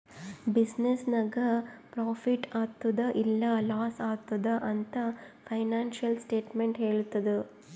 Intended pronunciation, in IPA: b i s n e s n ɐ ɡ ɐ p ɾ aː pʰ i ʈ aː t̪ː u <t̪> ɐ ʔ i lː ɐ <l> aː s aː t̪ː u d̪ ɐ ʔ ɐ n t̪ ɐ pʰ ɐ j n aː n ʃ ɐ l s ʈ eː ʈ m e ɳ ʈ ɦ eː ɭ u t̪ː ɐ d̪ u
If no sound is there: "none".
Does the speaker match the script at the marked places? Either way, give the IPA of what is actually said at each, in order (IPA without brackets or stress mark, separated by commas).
d̪, l